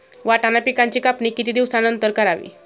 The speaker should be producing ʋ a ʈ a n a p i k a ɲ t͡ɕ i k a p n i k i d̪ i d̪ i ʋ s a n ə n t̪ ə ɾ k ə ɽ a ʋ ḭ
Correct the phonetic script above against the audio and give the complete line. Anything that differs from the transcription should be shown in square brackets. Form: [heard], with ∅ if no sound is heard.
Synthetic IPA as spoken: ʋ a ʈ a n a p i k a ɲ t͡ɕ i k a p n i k i [t̪] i d̪ i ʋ s a n ə n t̪ ə ɾ k ə [ɾ] a ʋ ḭ